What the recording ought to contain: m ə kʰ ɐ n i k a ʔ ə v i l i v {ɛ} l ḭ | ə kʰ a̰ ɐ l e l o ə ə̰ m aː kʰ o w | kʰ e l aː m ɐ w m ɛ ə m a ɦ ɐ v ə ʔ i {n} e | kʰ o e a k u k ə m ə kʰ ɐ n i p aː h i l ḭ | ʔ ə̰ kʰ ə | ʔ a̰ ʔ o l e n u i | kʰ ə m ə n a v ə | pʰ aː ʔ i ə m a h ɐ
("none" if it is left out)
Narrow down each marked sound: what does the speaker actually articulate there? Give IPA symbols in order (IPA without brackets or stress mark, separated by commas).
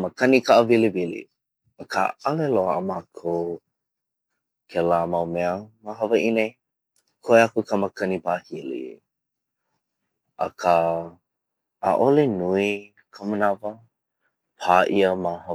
i, n